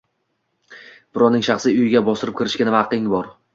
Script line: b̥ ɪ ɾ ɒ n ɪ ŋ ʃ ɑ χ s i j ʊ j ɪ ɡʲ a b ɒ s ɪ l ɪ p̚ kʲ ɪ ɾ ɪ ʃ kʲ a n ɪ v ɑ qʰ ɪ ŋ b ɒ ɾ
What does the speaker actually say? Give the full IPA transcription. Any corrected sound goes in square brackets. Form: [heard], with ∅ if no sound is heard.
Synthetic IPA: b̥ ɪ ɾ ɒ n ɪ ŋ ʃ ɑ χ s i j ʊ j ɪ ɡʲ a b ɒ s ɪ [ɾ] ɪ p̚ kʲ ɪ ɾ ɪ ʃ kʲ a n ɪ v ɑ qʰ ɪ ŋ b ɒ ɾ